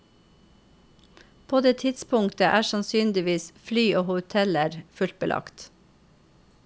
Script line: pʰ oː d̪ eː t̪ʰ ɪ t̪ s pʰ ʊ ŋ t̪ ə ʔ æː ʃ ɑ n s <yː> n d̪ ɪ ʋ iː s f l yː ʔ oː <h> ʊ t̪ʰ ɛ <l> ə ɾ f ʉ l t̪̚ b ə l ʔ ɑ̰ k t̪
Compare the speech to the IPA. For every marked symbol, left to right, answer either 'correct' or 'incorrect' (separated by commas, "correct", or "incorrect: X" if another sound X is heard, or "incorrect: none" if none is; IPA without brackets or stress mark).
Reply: correct, correct, correct